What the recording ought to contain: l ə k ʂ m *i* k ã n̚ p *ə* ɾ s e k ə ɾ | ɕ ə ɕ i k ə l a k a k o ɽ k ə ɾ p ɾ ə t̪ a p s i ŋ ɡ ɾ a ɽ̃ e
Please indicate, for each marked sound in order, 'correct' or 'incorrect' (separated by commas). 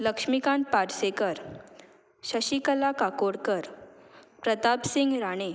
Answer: correct, incorrect